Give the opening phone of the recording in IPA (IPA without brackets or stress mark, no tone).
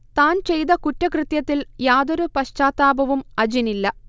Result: t̪